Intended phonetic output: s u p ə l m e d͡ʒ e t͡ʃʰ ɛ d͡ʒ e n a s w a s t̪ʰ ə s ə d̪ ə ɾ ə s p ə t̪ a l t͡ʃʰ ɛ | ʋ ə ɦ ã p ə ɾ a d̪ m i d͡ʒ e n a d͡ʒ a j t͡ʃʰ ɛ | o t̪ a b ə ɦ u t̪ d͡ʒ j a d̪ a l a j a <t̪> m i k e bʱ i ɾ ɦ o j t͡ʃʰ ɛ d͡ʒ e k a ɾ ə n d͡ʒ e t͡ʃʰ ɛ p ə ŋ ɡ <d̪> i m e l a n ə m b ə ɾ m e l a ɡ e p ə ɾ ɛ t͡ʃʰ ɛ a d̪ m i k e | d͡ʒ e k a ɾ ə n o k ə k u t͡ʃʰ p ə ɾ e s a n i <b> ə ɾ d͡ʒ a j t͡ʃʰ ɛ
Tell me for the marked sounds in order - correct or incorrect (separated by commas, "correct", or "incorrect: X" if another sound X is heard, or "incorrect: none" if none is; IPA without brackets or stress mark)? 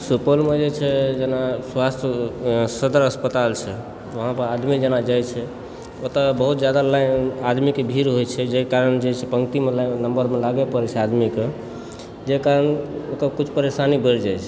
incorrect: d̪, incorrect: t̪, correct